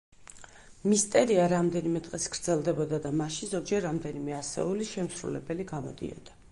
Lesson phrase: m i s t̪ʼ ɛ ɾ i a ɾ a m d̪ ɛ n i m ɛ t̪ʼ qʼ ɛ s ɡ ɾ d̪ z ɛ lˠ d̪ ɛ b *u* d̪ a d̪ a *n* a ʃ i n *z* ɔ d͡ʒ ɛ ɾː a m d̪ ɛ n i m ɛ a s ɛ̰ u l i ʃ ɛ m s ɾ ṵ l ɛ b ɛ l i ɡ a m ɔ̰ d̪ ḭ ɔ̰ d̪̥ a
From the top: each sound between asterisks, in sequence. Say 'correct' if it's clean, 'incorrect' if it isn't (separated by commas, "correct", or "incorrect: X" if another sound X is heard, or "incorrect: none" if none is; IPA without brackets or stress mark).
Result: incorrect: ɔ, incorrect: m, correct